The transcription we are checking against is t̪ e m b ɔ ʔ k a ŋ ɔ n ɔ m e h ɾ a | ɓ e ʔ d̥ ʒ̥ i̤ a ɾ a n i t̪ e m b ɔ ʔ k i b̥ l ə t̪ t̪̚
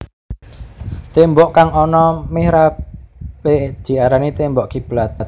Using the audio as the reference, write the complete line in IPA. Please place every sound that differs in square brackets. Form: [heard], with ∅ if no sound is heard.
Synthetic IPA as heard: t̪ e m b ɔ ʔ k a ŋ ɔ n ɔ m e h ɾ a | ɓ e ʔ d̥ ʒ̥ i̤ a ɾ a n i t̪ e m b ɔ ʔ k i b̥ l [a] t̪ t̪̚